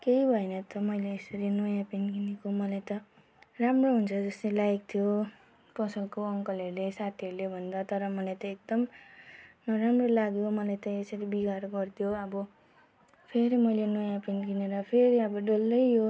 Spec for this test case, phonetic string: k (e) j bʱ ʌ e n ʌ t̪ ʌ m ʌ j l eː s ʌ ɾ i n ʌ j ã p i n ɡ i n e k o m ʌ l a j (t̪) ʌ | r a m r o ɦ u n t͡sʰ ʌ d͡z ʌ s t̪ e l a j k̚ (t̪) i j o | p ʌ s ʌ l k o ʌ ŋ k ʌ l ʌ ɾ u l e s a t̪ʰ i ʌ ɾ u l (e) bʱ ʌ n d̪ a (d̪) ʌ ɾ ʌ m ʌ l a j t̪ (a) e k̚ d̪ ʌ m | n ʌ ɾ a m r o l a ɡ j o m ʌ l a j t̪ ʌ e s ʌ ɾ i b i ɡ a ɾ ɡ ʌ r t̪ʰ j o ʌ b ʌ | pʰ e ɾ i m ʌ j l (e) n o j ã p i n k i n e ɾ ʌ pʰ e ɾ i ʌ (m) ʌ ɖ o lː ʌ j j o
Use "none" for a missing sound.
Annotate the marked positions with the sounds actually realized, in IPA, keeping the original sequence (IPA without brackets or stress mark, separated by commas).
e, t̪, t̪ʰ, e, t̪, ʌ, e, b